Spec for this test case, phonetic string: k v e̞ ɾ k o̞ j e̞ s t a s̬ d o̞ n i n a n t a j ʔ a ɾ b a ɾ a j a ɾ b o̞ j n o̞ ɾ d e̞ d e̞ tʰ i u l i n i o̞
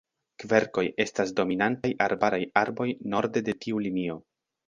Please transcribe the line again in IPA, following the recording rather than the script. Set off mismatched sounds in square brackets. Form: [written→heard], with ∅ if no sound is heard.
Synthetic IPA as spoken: k v e̞ ɾ k o̞ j e̞ s t a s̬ d o̞ [n→m] i n a n t a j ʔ a ɾ b a ɾ a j a ɾ b o̞ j n o̞ ɾ d e̞ d e̞ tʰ i u l i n i o̞

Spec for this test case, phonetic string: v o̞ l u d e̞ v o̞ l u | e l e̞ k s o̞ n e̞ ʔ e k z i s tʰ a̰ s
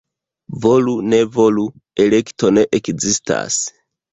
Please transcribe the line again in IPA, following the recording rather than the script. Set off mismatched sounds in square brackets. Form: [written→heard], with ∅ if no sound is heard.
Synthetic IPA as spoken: v o̞ l u [d→n] e̞ v o̞ l u | e l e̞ k [s→t] o̞ n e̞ ʔ e k z i s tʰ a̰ s

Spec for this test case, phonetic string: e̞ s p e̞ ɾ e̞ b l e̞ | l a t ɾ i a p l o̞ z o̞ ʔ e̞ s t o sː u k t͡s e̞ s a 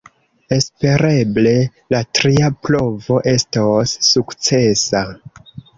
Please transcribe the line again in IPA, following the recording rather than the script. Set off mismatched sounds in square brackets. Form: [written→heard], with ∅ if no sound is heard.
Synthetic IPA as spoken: e̞ s p e̞ ɾ e̞ b l e̞ | l a t ɾ i a p l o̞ [z→v] o̞ ʔ e̞ s t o sː u k t͡s e̞ s a

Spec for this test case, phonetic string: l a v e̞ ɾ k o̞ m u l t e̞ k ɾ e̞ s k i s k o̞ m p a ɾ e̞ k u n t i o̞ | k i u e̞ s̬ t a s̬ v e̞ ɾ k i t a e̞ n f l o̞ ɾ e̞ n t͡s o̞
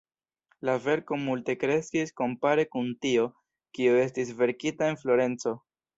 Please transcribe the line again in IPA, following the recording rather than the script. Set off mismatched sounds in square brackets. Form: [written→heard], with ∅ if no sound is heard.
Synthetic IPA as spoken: l a v e̞ ɾ k o̞ m u l t e̞ k ɾ e̞ s k i s k o̞ m p a ɾ e̞ k u n t i o̞ | k i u e̞ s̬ t [a→i] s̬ v e̞ ɾ k i t a e̞ n f l o̞ ɾ e̞ n t͡s o̞

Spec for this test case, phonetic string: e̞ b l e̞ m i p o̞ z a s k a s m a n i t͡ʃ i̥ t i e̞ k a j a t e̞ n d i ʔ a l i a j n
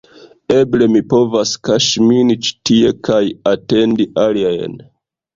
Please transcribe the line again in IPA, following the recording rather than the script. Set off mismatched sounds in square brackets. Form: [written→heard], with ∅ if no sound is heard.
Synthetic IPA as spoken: e̞ b l e̞ m i p o̞ [z→v] a s k a [s→ʃ] m [a→i] n i t͡ʃ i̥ t i e̞ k a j a t e̞ n d i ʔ a l i a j n

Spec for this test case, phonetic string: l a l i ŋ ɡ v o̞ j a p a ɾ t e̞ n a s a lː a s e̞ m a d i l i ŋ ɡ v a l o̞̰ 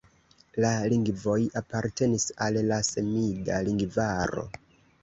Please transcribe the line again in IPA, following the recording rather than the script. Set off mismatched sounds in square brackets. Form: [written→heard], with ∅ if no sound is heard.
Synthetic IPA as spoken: l a l i ŋ ɡ v o̞ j a p a ɾ t e̞ n [a→i] s a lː a s e̞ m [a→i] d [i→a] l i ŋ ɡ v a [l→ɾ] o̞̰

